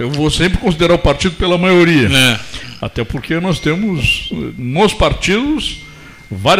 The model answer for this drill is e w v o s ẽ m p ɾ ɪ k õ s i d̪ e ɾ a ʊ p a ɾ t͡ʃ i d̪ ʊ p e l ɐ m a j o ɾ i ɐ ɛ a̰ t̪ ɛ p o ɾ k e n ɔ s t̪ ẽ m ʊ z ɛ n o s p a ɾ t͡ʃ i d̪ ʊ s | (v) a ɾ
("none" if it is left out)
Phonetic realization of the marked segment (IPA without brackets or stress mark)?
v